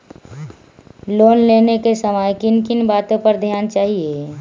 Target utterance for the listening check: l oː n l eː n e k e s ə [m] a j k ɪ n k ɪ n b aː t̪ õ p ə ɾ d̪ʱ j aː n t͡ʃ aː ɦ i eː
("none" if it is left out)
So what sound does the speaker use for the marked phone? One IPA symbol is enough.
m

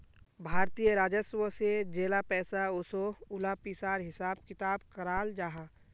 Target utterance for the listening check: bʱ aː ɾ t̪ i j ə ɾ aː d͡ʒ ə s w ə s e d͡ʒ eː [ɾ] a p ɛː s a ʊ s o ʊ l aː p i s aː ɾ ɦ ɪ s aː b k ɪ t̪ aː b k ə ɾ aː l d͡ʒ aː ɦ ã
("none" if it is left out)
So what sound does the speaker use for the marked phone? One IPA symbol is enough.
l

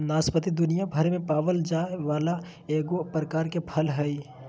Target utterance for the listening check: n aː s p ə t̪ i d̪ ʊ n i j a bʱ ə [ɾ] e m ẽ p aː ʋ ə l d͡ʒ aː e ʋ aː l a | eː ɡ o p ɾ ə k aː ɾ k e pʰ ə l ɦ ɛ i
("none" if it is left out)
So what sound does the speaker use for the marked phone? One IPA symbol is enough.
ɾ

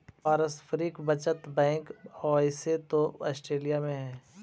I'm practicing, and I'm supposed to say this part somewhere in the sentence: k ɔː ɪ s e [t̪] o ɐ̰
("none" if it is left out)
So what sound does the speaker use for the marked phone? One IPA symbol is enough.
t̪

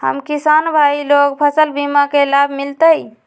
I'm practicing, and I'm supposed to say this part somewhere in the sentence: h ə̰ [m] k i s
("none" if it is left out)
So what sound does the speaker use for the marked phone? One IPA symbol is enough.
m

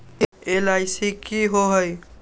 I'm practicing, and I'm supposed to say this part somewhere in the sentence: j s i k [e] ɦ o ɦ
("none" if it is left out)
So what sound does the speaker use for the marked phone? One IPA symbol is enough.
i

